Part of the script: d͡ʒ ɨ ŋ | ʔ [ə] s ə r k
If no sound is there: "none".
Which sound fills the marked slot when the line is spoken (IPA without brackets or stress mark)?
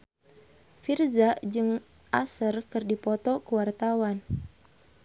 a